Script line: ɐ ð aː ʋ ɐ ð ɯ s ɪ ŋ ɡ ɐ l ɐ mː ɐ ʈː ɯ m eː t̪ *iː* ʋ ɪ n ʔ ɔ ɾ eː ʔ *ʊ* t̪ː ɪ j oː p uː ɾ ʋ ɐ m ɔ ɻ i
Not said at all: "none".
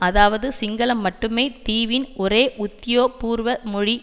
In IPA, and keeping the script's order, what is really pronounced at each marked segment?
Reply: iː, ʊ

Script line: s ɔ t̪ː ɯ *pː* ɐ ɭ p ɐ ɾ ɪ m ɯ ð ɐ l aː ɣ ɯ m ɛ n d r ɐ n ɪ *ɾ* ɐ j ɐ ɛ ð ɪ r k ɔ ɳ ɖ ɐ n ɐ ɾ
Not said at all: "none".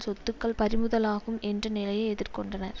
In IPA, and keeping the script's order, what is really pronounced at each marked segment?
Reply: kː, l

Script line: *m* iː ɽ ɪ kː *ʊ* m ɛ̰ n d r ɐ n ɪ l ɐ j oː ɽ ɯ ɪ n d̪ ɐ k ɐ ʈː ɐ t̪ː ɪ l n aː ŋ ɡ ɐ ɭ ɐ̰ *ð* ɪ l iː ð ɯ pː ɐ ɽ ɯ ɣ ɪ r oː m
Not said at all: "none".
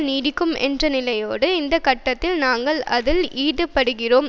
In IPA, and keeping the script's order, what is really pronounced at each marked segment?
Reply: n, ɯ, ð

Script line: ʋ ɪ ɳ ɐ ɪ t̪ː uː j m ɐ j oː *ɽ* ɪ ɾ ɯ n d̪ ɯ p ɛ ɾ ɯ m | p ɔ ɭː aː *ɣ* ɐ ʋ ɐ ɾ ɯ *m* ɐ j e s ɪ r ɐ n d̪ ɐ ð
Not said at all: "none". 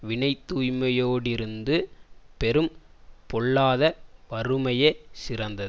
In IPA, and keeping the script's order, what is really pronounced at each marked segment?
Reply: ɽ, ð, m

